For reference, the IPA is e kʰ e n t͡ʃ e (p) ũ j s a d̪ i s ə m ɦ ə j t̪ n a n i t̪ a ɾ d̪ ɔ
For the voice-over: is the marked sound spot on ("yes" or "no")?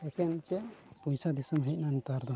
yes